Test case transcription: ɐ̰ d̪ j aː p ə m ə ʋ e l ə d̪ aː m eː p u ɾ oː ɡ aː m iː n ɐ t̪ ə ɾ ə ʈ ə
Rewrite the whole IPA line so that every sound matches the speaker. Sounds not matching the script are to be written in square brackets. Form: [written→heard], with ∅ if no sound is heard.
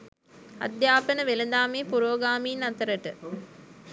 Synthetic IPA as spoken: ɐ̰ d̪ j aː p ə [m→n] ə ʋ e l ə d̪ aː m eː p u ɾ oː ɡ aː m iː n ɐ t̪ ə ɾ ə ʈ ə